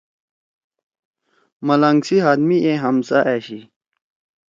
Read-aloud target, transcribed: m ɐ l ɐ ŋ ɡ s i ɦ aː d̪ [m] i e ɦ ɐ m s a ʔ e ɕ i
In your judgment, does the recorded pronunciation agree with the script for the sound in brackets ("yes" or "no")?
yes